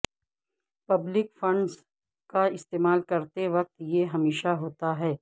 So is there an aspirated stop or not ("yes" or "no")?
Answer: no